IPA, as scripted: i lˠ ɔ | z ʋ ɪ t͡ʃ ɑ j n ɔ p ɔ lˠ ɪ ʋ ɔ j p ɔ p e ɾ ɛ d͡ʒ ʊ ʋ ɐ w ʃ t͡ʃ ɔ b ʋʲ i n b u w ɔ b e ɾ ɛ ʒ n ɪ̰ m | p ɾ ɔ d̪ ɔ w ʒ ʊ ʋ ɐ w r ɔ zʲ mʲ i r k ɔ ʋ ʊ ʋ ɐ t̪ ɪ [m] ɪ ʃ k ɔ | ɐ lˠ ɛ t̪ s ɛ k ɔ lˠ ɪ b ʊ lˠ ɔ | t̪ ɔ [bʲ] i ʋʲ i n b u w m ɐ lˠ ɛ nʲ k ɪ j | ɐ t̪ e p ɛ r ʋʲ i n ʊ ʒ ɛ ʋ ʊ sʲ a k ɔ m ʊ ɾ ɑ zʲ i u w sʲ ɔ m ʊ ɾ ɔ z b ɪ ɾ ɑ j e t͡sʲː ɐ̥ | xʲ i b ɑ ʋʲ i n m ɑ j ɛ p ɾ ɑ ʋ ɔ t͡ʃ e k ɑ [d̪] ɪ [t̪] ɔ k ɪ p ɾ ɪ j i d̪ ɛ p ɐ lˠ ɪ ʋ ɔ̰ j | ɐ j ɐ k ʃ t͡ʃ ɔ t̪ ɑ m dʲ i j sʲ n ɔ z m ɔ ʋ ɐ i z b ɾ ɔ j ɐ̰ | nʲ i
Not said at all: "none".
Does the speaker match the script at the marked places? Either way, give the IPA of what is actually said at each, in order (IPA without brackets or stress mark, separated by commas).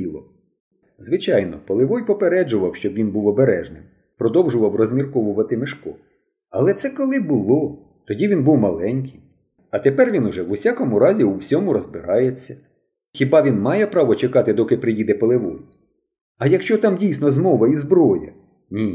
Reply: m, dʲ, t̪, d̪